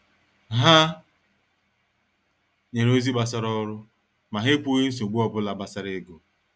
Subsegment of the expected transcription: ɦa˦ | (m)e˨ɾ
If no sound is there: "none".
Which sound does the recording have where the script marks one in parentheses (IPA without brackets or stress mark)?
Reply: ɲ